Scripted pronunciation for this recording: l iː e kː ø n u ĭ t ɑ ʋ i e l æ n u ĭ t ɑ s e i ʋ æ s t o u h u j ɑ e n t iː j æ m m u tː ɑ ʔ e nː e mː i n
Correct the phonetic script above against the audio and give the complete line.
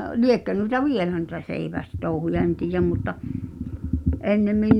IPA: l i e kː ø n u ĭ t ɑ ʋ i e l æ n u ĭ t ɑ s e i ʋ æ s t o u h u j ɑ e n t iː j æ m m u tː ɑ ʔ e nː e mː i n